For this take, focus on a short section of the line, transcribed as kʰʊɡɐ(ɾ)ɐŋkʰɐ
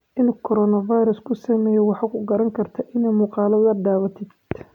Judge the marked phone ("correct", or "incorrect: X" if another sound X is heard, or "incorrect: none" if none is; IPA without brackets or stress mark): correct